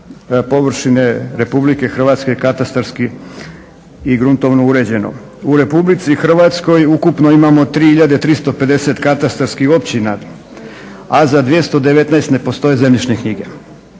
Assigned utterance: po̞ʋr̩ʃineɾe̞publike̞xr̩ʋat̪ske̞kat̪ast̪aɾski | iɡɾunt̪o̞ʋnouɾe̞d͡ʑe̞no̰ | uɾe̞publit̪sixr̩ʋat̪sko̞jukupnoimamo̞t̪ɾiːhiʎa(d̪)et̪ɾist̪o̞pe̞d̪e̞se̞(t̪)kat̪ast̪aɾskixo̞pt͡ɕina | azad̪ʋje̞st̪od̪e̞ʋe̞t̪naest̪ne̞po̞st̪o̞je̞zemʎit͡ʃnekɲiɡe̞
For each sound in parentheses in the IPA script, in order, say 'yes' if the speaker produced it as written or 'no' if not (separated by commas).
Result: yes, yes